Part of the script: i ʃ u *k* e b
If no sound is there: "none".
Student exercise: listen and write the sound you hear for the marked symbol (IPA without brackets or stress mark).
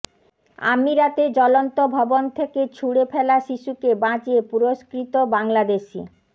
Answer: k